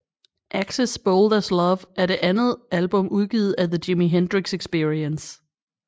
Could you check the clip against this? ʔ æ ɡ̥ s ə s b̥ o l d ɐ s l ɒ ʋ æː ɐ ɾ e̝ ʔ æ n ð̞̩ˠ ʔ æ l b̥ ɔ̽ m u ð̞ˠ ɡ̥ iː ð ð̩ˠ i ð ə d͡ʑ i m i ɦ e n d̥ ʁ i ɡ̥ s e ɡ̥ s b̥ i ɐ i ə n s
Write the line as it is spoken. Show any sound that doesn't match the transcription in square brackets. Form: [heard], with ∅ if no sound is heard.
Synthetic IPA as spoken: ʔ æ ɡ̥ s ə s b̥ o l d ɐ s l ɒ ʋ [æ] ɐ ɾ e̝ ʔ æ n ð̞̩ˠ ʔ æ l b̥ ɔ̽ m u ð̞ˠ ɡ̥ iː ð ð̩ˠ [æ] ð ə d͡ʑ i m i ɦ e n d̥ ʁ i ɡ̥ s e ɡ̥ s b̥ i ɐ i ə n s